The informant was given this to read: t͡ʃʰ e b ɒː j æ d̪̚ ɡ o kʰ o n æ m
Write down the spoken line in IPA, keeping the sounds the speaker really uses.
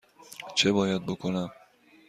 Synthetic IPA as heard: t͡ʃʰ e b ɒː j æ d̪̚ b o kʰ o n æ m